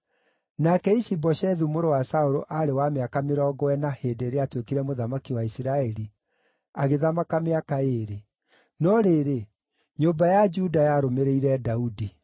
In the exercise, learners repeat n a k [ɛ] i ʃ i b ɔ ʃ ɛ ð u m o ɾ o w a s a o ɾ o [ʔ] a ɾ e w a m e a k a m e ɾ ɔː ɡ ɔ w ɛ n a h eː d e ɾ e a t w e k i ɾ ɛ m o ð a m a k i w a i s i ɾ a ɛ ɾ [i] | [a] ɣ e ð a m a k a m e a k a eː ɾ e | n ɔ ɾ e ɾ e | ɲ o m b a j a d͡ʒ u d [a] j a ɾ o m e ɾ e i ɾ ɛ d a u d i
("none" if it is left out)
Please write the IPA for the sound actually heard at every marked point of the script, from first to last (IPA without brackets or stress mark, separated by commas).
ɛ, ʔ, i, a, a